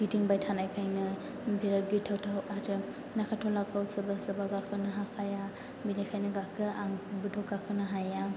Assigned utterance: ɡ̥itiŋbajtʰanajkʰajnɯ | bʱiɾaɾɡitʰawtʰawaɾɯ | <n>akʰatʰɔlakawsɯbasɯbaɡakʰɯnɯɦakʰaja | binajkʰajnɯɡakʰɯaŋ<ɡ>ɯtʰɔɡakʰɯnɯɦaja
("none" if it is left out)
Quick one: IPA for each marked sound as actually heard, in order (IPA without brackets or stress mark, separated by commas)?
n, b